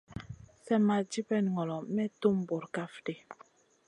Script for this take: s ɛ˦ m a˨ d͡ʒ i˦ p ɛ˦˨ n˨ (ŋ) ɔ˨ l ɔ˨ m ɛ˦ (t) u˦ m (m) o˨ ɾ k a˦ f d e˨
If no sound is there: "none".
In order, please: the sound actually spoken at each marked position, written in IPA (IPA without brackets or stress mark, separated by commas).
ŋ, t, b